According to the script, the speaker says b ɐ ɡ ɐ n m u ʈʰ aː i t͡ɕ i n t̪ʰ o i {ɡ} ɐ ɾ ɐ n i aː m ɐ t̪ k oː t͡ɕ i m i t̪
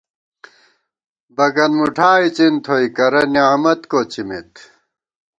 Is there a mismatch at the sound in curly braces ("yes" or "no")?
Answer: yes